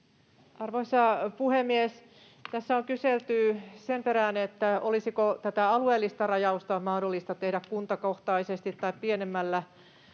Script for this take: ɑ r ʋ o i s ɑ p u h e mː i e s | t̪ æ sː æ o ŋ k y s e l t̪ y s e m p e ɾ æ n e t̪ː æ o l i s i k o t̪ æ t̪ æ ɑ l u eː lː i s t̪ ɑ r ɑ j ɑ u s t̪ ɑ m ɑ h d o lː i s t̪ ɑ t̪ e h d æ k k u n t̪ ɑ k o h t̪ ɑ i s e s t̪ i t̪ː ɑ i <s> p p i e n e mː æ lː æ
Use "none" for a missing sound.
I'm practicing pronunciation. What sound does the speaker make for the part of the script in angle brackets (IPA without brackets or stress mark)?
none